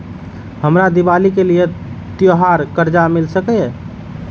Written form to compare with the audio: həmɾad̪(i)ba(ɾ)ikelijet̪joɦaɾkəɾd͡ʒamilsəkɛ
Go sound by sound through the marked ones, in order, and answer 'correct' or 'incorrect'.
correct, incorrect: l

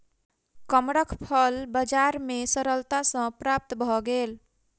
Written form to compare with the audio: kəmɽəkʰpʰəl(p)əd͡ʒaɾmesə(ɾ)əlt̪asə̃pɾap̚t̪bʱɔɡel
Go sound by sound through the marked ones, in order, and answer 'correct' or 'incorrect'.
incorrect: b, correct

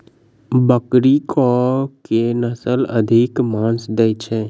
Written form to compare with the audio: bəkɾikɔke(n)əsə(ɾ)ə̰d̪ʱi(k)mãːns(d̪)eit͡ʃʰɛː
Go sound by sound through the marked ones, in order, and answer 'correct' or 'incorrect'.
correct, incorrect: l, correct, correct

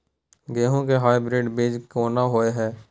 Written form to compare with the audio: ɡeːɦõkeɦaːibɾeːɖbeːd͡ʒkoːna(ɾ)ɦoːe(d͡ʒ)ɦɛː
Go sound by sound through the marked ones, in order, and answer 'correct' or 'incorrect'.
incorrect: none, incorrect: none

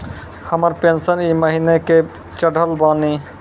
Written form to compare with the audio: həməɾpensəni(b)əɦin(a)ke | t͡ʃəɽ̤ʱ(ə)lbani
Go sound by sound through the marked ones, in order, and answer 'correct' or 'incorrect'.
incorrect: m, incorrect: e, correct

